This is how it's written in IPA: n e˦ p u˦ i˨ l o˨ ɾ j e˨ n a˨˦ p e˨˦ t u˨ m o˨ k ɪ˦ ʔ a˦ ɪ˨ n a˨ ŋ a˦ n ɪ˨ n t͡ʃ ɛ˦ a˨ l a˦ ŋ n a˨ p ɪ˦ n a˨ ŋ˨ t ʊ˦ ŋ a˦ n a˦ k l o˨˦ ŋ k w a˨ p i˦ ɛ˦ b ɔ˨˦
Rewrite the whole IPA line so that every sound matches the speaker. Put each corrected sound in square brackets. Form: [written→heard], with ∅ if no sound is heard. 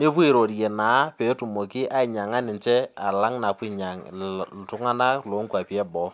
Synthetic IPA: n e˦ p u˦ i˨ [l→ɾ] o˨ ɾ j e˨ n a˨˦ p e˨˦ t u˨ m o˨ k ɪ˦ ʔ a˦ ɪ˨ [n→ɲ] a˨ ŋ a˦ n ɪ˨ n t͡ʃ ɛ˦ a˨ l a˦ ŋ n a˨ p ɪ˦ [n→ɲ] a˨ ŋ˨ t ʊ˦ ŋ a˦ n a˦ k l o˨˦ ŋ k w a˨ p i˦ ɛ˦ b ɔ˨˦